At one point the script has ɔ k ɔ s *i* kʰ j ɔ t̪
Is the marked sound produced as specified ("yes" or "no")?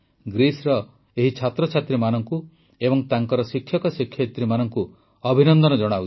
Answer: yes